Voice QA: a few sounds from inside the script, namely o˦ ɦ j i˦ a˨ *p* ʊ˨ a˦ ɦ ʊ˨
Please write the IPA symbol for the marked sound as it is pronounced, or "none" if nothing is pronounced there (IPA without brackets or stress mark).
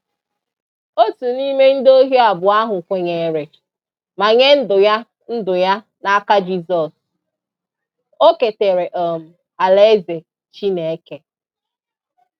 b